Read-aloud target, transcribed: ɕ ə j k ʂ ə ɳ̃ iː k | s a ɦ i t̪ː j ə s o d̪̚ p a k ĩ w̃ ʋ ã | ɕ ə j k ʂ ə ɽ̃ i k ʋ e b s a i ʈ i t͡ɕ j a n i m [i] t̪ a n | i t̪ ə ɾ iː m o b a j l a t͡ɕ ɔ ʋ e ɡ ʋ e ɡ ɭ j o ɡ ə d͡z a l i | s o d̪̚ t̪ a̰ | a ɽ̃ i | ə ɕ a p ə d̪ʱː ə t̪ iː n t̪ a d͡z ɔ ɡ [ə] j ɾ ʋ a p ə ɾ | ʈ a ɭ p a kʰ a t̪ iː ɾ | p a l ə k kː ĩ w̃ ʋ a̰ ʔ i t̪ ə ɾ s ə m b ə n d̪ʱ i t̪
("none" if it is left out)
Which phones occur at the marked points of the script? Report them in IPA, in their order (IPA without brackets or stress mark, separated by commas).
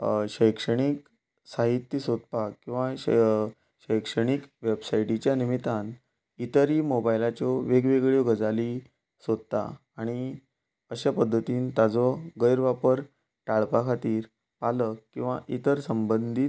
i, ə